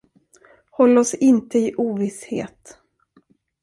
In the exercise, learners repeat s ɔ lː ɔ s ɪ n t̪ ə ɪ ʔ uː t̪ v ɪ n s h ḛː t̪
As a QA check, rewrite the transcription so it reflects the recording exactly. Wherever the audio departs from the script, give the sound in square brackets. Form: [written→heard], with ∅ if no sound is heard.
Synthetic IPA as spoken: [s→h] ɔ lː ɔ s ɪ n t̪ ə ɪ ʔ uː [t̪→∅] v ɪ [n→∅] s h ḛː t̪

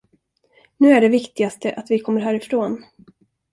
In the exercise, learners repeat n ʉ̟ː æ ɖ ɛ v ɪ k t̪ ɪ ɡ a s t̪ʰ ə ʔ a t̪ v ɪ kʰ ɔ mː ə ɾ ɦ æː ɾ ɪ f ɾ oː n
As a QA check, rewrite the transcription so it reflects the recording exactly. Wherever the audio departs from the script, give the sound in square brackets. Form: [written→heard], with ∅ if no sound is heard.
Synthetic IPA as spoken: n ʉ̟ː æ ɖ ɛ v ɪ k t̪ ɪ ɡ a s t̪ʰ ə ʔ a t̪ v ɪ kʰ ɔ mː ə ɾ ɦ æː ɾ ɪ f ɾ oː n

